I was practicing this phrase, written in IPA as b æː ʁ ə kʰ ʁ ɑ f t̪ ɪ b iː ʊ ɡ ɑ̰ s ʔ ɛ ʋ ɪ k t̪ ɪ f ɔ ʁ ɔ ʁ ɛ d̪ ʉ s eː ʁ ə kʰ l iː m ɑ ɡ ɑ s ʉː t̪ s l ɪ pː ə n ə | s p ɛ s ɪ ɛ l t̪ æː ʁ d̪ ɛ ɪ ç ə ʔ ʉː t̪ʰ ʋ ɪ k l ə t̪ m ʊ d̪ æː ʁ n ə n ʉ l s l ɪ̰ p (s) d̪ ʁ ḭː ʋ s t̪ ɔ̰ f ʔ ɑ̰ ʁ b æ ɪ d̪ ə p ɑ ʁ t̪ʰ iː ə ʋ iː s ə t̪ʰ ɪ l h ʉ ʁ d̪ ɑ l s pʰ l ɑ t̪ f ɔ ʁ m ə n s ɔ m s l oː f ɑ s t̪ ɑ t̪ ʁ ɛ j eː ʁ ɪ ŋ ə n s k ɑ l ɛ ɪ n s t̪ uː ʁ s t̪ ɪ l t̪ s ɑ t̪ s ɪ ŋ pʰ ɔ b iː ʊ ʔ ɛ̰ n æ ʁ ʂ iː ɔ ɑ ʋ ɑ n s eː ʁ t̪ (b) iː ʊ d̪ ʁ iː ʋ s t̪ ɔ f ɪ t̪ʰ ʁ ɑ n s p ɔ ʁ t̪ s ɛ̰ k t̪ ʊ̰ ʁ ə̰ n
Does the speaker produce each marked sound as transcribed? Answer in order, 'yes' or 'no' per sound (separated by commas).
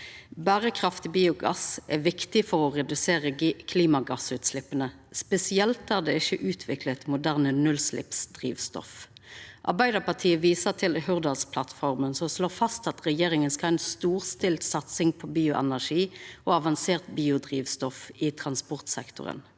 yes, yes